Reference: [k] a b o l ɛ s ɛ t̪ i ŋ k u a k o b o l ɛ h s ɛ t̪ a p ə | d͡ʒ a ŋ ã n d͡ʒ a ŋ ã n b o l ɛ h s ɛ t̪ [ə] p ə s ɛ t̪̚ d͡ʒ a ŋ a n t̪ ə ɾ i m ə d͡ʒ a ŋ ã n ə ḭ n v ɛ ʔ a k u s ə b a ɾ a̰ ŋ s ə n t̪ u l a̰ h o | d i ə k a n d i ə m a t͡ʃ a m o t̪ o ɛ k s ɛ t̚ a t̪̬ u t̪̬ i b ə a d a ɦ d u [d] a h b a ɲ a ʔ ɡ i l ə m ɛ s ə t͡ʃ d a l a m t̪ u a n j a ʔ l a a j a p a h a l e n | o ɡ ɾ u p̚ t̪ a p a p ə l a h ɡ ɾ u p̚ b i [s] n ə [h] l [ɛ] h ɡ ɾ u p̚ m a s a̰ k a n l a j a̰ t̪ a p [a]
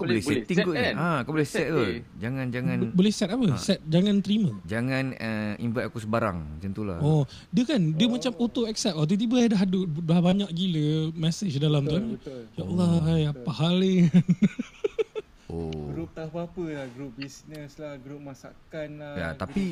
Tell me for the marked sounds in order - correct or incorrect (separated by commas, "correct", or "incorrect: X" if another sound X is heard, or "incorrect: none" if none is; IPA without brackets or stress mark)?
correct, incorrect: a, correct, correct, incorrect: s, incorrect: a, incorrect: i